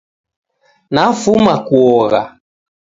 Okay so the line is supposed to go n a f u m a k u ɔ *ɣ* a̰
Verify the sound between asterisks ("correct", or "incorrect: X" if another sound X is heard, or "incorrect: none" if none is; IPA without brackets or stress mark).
correct